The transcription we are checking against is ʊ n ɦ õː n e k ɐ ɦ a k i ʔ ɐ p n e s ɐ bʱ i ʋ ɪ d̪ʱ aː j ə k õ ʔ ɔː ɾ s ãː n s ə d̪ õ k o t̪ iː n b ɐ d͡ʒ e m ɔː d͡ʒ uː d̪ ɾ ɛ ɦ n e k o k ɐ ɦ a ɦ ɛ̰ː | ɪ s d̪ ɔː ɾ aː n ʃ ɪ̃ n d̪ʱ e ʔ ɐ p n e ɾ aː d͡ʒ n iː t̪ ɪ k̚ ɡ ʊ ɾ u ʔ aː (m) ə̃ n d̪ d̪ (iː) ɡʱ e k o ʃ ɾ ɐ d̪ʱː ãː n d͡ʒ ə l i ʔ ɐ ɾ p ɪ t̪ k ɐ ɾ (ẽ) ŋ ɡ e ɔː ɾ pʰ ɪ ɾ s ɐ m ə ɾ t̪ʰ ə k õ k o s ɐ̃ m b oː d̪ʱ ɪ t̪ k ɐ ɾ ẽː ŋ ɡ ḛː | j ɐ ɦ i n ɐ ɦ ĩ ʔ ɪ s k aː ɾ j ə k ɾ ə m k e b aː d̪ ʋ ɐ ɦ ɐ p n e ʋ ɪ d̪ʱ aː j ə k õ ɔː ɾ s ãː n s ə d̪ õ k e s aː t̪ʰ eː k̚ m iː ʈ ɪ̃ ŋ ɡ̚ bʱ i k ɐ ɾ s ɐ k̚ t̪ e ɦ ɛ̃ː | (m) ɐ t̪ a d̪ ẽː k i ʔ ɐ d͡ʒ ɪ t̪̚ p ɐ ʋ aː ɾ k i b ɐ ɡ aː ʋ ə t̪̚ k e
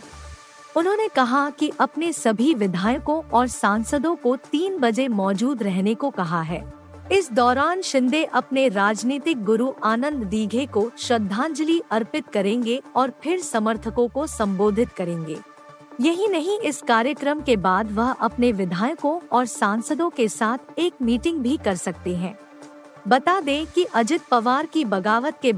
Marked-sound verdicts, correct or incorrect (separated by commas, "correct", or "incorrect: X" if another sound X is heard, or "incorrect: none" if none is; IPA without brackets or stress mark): incorrect: n, correct, incorrect: ẽː, incorrect: b